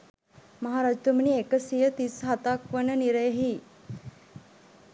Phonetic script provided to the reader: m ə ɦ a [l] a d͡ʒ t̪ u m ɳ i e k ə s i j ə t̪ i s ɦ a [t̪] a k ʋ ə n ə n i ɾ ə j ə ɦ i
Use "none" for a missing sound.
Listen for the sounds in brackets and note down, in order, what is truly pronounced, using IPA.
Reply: ɾ, t̪

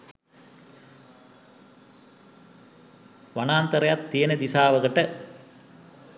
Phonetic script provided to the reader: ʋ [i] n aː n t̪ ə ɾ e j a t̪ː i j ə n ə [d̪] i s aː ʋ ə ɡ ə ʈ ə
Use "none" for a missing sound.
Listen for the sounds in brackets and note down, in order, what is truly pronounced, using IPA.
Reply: a, d̪

